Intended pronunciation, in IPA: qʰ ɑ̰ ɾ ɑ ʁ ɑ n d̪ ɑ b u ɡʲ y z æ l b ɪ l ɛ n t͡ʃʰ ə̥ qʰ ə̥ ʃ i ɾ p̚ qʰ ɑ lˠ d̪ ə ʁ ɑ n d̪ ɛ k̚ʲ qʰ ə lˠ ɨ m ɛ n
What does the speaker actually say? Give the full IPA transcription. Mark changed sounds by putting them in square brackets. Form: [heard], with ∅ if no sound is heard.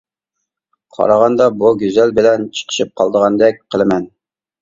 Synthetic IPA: qʰ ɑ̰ ɾ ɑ ʁ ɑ n d̪ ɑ b u ɡʲ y z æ l b ɪ l ɛ n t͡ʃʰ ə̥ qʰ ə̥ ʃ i [∅] p̚ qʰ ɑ lˠ d̪ ə ʁ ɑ n d̪ ɛ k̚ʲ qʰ ə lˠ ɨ m ɛ n